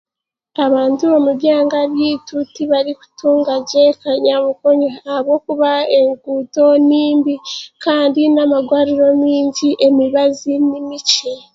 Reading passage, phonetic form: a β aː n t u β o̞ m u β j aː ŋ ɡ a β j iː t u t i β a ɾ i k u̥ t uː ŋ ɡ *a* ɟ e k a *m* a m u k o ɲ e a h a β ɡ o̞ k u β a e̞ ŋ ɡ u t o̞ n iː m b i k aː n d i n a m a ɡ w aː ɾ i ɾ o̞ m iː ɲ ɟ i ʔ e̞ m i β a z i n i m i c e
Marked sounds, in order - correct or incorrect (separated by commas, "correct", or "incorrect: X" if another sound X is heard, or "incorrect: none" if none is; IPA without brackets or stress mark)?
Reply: correct, incorrect: ɲ